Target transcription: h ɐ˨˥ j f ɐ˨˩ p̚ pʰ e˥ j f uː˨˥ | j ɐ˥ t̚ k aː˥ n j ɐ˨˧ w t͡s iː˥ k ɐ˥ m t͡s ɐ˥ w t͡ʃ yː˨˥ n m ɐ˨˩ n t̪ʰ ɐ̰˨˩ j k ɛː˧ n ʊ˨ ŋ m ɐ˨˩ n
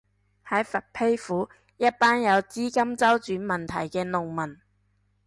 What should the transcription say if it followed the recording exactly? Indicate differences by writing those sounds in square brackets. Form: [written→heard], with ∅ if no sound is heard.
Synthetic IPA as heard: h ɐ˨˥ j f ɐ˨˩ [p̚→t̚] pʰ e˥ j f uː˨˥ | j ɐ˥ t̚ [k→p] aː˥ n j ɐ˨˧ w t͡s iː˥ k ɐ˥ m t͡s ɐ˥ w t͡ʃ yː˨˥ n m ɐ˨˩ n t̪ʰ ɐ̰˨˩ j k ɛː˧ n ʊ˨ ŋ m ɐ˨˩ n